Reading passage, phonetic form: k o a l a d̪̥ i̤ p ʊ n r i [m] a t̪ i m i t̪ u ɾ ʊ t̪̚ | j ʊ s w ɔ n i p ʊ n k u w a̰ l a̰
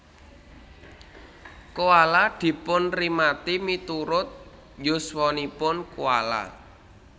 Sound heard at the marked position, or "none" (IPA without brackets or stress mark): m